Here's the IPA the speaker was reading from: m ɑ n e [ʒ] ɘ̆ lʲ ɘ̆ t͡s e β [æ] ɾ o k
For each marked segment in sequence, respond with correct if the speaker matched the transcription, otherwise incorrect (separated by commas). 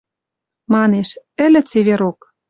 incorrect, incorrect